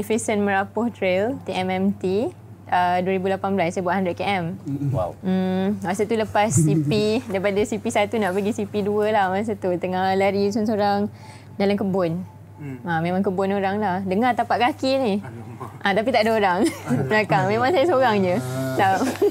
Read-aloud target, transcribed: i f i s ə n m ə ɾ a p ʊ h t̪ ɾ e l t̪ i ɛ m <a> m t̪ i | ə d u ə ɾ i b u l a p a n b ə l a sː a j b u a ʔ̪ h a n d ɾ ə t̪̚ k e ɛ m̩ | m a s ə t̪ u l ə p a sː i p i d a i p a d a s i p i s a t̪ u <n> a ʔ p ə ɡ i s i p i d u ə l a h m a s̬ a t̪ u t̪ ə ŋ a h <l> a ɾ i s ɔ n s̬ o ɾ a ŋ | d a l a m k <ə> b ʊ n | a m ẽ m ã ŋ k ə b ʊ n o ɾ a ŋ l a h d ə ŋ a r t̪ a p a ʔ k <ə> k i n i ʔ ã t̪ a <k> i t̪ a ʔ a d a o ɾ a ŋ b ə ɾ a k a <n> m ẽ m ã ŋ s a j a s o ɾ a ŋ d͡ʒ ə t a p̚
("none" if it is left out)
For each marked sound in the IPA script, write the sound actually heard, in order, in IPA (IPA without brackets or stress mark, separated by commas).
ɛ, n, l, ə, a, p, ŋ